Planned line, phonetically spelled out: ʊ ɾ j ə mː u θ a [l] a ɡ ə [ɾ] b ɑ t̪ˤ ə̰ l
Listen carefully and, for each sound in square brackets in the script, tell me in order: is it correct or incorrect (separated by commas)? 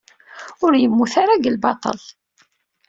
incorrect, incorrect